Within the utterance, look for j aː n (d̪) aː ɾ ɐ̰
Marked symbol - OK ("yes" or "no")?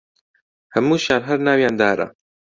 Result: yes